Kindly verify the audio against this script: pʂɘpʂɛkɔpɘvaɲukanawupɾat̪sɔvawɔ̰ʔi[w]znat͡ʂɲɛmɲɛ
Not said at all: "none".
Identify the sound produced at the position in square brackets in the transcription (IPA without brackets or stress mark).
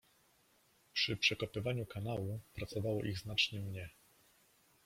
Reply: ɣ